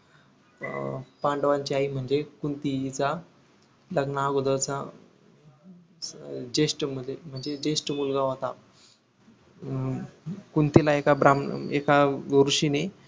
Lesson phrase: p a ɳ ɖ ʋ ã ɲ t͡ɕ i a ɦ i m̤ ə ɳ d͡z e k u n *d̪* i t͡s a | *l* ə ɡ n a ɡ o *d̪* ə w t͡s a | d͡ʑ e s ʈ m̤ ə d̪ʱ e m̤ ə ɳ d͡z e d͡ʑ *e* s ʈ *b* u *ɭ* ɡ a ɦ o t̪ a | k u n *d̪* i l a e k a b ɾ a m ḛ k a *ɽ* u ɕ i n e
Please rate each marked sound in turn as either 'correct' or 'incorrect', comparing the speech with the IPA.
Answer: incorrect, correct, correct, correct, incorrect, incorrect, incorrect, incorrect

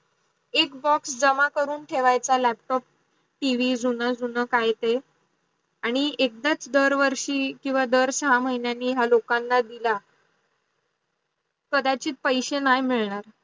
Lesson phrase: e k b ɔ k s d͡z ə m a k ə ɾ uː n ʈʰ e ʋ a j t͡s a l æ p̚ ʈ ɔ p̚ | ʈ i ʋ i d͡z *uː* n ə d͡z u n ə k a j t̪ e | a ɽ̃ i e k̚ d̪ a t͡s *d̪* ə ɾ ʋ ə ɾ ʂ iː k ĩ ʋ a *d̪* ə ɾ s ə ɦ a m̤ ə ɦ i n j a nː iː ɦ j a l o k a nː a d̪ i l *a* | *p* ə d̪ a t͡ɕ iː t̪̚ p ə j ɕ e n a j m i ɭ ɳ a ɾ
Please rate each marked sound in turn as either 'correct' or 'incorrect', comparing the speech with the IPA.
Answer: incorrect, correct, correct, correct, incorrect

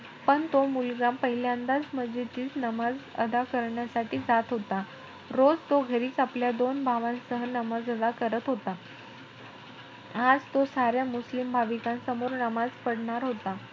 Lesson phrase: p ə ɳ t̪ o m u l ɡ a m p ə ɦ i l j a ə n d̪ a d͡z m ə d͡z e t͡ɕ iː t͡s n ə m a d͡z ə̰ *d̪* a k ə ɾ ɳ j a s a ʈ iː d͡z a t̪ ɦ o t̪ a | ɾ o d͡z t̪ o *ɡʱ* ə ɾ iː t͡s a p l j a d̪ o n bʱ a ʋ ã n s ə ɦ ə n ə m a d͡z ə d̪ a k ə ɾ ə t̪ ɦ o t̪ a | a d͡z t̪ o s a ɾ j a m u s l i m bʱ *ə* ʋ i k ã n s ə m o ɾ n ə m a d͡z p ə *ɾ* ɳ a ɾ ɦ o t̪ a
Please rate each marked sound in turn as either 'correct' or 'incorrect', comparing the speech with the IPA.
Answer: correct, correct, incorrect, incorrect

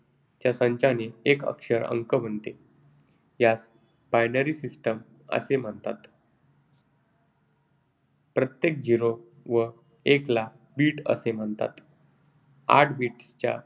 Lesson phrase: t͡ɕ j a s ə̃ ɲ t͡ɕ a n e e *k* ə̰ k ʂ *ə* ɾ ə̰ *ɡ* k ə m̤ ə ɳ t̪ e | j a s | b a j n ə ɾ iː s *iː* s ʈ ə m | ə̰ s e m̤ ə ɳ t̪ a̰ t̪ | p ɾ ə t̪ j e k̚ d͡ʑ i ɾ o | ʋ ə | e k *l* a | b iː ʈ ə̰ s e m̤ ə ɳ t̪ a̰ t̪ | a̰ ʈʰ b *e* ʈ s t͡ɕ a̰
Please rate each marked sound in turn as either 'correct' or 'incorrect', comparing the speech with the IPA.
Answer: correct, correct, incorrect, incorrect, correct, incorrect

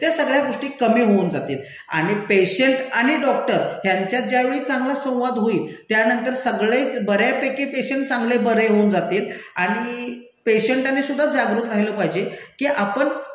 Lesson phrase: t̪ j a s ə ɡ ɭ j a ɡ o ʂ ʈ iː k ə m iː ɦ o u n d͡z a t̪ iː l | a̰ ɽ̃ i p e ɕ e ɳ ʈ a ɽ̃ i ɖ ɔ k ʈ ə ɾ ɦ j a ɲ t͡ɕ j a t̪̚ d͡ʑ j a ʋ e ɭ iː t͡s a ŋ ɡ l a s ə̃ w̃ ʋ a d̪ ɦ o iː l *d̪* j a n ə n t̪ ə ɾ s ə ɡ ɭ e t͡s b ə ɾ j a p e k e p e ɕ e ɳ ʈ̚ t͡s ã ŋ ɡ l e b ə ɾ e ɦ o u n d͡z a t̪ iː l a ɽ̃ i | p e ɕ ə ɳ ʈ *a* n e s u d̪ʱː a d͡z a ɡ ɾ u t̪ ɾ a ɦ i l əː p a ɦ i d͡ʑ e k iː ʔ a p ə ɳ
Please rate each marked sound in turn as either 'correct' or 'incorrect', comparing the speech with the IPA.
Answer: incorrect, correct

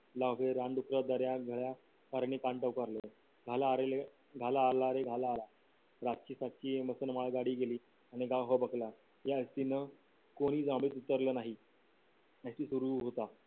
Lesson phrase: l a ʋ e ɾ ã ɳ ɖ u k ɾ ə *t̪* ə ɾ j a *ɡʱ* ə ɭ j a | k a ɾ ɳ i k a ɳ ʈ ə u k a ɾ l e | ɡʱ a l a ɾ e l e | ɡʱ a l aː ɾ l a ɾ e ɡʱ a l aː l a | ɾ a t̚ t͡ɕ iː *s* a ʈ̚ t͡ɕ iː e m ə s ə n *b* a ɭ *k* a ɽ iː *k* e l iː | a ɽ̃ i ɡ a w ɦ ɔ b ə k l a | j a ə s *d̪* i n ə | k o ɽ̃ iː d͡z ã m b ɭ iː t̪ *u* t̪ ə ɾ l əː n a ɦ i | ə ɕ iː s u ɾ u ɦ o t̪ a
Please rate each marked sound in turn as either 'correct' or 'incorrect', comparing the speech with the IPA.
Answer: incorrect, correct, correct, incorrect, incorrect, incorrect, incorrect, correct

